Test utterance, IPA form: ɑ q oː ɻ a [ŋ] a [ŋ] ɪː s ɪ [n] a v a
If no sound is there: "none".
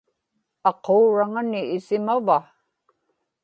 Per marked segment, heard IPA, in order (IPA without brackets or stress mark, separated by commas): ŋ, n, m